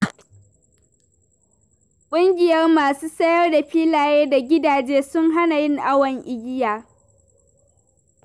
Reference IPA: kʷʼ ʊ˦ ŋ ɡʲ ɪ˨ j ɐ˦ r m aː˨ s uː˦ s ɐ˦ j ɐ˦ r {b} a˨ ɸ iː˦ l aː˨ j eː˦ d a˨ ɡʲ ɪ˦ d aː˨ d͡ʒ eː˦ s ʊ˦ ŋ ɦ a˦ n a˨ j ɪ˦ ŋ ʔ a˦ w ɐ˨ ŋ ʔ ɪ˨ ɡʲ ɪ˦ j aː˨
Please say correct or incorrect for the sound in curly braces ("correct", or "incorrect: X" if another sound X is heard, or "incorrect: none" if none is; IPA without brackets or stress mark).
incorrect: d